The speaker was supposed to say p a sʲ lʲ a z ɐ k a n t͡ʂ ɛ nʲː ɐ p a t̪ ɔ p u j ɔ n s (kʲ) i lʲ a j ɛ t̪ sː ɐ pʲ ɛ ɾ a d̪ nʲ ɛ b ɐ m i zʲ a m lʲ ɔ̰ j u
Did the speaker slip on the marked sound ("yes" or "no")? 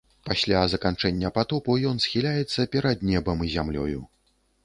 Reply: yes